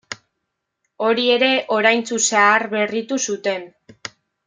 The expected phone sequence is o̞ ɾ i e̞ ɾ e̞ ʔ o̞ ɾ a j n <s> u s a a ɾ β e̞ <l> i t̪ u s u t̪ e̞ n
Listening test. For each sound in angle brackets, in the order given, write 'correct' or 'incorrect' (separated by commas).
incorrect, incorrect